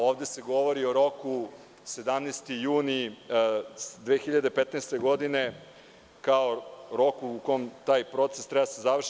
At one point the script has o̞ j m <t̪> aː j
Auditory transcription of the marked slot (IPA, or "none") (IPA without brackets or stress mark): t̪